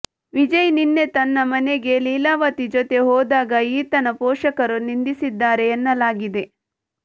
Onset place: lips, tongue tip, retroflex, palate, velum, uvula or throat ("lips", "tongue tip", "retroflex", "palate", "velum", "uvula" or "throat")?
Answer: lips